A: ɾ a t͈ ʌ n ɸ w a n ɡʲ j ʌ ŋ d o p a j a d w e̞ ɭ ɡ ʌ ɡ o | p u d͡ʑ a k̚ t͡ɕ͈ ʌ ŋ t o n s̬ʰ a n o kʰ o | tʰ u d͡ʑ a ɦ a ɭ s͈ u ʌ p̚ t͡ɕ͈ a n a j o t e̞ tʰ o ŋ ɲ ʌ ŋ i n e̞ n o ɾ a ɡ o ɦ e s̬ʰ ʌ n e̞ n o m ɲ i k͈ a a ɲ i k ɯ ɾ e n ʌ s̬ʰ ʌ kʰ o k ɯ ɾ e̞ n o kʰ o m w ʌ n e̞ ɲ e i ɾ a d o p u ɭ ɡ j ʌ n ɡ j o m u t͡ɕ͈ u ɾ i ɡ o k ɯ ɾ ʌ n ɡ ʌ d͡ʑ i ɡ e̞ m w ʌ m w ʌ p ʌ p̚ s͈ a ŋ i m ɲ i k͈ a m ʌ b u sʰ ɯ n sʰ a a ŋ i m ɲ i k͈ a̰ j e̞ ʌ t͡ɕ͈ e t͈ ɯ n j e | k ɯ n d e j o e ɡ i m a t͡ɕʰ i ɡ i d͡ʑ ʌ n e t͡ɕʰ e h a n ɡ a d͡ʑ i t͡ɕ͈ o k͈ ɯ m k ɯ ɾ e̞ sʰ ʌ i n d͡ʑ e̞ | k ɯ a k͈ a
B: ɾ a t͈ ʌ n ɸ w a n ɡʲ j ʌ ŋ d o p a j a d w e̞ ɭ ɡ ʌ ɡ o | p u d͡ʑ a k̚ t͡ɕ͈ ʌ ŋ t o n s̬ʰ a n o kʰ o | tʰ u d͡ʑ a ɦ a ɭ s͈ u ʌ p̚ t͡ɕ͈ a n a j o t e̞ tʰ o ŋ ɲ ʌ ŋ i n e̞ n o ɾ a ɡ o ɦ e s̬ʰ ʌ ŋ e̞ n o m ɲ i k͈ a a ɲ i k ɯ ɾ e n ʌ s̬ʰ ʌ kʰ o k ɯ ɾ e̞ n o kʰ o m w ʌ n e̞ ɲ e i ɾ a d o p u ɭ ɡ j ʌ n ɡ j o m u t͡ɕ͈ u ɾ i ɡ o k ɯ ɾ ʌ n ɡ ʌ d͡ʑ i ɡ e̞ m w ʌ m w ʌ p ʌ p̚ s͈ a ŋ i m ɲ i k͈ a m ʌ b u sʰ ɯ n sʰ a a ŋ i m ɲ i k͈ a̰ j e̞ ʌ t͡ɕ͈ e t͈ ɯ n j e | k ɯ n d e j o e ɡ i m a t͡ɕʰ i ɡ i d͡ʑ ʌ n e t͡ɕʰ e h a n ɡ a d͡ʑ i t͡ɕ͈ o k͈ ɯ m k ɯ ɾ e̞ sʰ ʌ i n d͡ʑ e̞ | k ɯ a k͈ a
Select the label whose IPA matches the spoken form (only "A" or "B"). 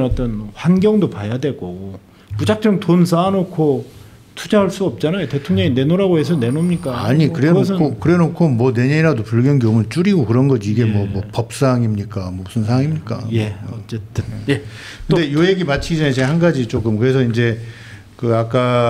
A